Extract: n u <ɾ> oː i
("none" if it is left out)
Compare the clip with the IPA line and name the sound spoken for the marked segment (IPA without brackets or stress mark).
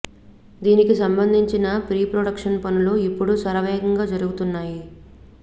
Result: l